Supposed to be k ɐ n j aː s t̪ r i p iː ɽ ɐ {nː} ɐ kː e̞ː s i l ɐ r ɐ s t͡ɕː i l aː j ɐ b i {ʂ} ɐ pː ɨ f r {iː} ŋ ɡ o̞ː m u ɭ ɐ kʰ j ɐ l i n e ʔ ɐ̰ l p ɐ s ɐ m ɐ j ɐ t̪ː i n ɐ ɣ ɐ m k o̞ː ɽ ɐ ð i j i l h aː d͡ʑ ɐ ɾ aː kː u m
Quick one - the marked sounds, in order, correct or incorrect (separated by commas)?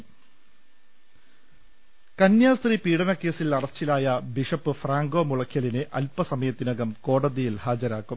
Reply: incorrect, correct, incorrect